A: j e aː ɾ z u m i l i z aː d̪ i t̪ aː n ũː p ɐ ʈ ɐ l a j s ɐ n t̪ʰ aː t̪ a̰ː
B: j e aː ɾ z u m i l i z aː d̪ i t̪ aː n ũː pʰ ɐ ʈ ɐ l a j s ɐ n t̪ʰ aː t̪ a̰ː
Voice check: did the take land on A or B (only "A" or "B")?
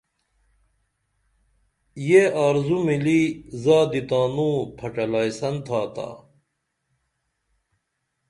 B